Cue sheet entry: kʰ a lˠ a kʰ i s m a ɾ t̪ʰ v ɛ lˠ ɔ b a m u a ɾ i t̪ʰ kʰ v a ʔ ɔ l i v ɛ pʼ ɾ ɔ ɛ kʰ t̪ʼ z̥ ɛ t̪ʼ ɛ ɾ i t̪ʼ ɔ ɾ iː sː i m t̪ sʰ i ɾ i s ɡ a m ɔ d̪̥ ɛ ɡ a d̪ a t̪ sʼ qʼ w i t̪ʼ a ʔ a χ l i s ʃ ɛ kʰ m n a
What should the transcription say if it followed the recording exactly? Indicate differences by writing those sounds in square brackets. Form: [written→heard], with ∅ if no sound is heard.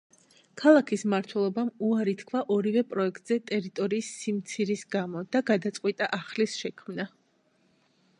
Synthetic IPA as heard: kʰ a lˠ a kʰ i s m a ɾ t̪ʰ [v→w] ɛ lˠ ɔ b a m u a ɾ i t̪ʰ kʰ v a ʔ ɔ [l→ɾ] i v ɛ pʼ ɾ ɔ ɛ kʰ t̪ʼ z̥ ɛ t̪ʼ ɛ ɾ i t̪ʼ ɔ ɾ iː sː i m t̪ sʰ i ɾ i s ɡ a m ɔ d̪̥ [ɛ→a] ɡ a d̪ a t̪ sʼ qʼ w i t̪ʼ a ʔ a χ l i s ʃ ɛ kʰ m n a

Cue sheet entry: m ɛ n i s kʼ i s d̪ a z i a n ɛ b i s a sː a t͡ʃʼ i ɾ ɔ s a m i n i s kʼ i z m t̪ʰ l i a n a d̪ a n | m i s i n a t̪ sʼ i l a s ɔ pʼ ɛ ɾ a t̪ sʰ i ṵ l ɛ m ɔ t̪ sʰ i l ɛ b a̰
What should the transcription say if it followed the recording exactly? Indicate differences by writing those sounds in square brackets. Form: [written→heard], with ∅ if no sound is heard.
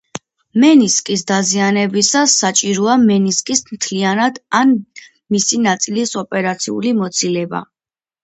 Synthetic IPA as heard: m ɛ n i s kʼ i s d̪ a z i a n ɛ b i s a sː a t͡ʃʼ i ɾ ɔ [s→∅] a m [i→ɛ] n i s kʼ i [z→s] m t̪ʰ l i a n a d̪ a n | m i s i n a t̪ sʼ i l [a→i] s ɔ pʼ ɛ ɾ a t̪ sʰ i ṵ l [ɛ→i] m ɔ t̪ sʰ i l ɛ b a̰

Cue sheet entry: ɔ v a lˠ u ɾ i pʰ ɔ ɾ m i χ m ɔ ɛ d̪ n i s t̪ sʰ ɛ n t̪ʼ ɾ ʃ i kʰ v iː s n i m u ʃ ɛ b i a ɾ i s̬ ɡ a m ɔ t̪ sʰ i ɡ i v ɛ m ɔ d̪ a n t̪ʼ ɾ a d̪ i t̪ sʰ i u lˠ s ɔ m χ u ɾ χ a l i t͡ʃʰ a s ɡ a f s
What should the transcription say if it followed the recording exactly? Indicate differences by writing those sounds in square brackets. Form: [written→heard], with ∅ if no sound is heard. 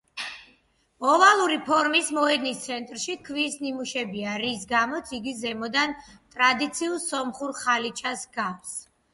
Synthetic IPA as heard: ɔ v a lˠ u ɾ i pʰ ɔ ɾ m i [χ→s] m ɔ ɛ d̪ n i s t̪ sʰ ɛ n t̪ʼ ɾ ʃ i kʰ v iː s n i m u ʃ ɛ b i a ɾ i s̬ ɡ a m ɔ t̪ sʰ i ɡ i [v→z] ɛ m ɔ d̪ a n t̪ʼ ɾ a d̪ i t̪ sʰ i u lˠ s ɔ m χ u ɾ χ a l i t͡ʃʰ a s ɡ a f s

